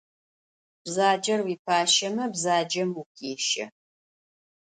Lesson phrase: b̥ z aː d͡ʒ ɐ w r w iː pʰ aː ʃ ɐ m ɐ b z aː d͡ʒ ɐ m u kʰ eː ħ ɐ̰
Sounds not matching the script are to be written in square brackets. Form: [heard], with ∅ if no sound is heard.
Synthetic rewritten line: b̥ z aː d͡ʒ ɐ [∅] r w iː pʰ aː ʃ ɐ m ɐ b z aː d͡ʒ ɐ m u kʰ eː [ʃ] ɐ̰